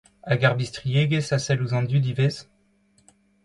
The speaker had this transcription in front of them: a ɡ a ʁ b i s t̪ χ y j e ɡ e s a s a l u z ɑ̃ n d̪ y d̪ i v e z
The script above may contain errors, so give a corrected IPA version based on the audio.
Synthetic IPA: a ɡ a ʁ b i s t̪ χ i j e ɡ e s a s ɛ l u z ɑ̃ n d̪ y d̪ i v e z